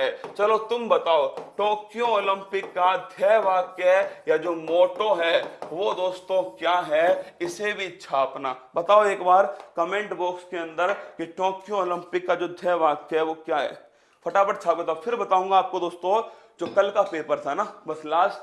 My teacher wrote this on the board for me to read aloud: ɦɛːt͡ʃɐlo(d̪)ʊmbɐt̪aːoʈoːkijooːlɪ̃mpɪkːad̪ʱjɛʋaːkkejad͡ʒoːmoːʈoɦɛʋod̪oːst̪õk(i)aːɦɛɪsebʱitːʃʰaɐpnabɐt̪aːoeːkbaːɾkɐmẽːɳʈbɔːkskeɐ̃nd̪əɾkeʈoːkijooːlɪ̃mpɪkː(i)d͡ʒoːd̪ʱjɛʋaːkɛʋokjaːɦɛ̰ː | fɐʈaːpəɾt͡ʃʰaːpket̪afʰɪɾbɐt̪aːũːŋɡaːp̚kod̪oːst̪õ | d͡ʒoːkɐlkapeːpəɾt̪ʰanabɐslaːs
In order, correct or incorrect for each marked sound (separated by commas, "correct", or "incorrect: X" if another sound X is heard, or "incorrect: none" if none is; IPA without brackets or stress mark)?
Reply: incorrect: t̪, incorrect: j, incorrect: a